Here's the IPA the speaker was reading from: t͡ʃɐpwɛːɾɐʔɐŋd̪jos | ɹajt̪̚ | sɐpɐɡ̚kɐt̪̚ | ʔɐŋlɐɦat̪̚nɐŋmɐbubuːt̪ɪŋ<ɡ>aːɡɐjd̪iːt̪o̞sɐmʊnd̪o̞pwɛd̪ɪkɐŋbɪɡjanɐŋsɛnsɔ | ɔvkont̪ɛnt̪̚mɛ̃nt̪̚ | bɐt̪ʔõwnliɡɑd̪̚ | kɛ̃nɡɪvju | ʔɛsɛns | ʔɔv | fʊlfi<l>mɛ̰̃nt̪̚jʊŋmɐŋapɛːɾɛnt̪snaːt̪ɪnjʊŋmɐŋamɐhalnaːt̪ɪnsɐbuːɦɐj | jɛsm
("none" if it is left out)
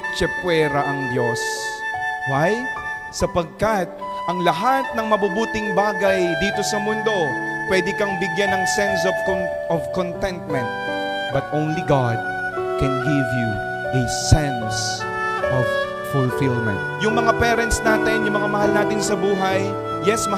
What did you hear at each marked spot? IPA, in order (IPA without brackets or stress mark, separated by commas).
b, l